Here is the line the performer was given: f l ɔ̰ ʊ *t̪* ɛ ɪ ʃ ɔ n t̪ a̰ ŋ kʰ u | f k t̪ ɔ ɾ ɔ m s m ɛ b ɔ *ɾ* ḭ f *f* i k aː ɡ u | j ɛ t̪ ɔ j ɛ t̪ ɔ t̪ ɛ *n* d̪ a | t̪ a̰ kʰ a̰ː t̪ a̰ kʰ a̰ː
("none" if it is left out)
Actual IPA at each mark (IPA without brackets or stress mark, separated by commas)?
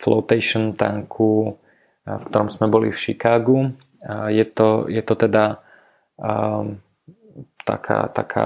t̪, l, ʃ, none